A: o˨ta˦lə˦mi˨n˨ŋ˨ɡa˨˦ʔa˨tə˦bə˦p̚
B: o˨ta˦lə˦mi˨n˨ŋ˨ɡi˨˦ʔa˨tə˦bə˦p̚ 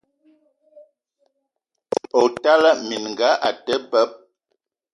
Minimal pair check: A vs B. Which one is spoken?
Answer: A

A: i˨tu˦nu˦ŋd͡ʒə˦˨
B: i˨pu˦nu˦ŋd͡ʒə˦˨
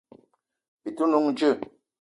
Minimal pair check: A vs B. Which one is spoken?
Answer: A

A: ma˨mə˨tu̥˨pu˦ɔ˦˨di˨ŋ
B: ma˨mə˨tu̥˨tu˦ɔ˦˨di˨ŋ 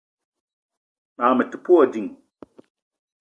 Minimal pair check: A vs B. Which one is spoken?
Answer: A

